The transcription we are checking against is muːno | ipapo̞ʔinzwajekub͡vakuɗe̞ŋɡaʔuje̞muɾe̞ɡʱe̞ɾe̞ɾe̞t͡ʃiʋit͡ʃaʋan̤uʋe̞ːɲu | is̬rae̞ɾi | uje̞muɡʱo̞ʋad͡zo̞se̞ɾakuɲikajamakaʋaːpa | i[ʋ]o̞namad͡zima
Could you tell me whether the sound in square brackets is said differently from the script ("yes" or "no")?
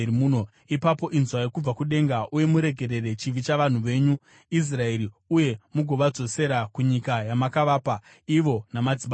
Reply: no